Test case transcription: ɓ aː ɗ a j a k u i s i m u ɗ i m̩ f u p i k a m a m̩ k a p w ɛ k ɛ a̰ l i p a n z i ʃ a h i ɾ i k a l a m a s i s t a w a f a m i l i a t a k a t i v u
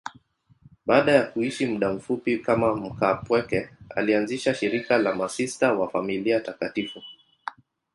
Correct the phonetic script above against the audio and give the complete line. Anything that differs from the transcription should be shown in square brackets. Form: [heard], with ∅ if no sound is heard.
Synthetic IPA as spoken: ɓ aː ɗ a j a k u i [ʃ] i m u ɗ [a] m̩ f u p i k a m a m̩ k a p w ɛ k ɛ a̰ l i [∅] a n z i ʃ a [ʃ] i ɾ i k a l a m a s i s t a w a f a m i l i a t a k a t i [f] u